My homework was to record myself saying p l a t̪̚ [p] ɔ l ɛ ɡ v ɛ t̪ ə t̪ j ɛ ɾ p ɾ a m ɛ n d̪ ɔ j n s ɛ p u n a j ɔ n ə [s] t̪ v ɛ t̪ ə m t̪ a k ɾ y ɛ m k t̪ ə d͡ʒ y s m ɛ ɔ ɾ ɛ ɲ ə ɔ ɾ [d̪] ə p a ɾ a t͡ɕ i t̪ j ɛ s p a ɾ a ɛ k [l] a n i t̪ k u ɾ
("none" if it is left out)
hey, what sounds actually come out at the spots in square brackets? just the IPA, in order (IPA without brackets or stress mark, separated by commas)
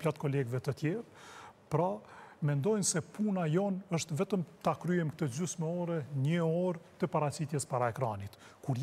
k, ʃ, t̪, ɾ